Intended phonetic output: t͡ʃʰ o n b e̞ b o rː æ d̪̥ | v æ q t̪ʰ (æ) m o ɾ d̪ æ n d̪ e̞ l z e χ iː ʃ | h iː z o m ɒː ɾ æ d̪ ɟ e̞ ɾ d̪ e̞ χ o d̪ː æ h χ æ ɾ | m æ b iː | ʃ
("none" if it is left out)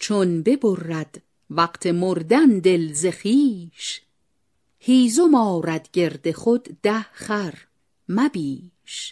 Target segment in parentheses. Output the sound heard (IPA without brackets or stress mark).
e